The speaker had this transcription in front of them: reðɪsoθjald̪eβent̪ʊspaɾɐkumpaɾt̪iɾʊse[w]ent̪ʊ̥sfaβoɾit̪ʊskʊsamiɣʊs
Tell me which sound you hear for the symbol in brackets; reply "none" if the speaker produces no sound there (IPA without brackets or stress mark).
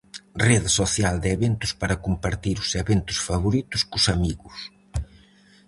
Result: β